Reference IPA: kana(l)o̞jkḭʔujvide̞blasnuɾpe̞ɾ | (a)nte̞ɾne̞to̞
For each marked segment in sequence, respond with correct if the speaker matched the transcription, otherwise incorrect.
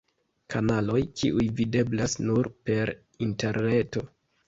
correct, incorrect

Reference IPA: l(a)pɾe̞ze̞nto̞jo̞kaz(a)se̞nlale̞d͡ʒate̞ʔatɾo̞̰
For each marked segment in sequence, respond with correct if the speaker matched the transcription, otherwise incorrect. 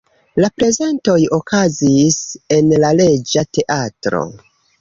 correct, incorrect

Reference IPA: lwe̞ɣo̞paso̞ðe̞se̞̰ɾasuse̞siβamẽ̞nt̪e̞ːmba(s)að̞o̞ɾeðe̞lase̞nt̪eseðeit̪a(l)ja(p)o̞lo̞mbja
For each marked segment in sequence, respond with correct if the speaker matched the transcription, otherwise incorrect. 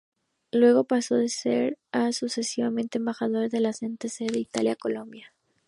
incorrect, correct, incorrect

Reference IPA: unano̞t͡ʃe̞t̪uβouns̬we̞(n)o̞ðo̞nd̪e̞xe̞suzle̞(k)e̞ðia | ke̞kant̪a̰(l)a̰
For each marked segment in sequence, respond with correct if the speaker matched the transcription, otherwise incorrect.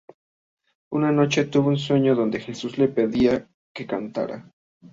incorrect, incorrect, incorrect

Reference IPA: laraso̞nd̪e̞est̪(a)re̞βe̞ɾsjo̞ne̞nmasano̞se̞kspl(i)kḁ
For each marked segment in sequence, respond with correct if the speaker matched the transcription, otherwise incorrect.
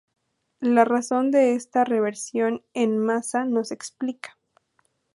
correct, correct

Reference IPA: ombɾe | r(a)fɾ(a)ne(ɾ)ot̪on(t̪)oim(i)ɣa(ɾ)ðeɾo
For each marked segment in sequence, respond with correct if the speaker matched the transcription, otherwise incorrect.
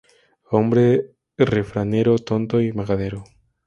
incorrect, correct, correct, correct, incorrect, incorrect

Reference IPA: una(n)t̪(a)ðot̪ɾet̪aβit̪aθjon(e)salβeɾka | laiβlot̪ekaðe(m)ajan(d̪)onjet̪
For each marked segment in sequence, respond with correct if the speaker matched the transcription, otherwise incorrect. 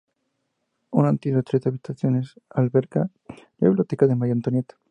correct, incorrect, correct, correct, incorrect

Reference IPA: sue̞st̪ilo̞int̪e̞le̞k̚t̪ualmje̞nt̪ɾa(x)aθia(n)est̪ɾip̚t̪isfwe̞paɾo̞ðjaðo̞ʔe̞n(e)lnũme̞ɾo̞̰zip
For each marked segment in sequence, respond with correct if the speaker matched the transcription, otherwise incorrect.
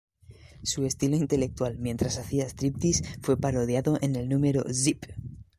incorrect, incorrect, correct

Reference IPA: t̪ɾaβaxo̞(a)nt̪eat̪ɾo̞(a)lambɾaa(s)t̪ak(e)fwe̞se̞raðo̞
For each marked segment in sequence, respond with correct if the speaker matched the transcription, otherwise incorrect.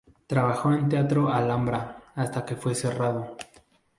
incorrect, correct, correct, correct

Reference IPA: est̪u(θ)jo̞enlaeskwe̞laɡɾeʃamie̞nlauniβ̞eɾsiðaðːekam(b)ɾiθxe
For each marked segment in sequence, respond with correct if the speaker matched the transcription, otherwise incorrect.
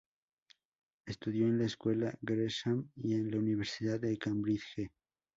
incorrect, correct

